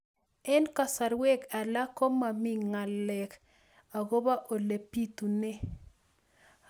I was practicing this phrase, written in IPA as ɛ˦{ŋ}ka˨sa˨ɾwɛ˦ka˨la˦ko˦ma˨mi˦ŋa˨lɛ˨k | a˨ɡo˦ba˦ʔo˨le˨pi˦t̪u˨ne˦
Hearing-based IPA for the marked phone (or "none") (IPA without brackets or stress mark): n